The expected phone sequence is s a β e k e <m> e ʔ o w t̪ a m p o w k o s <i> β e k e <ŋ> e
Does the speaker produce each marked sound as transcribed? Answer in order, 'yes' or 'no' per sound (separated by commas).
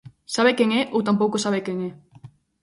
no, no, yes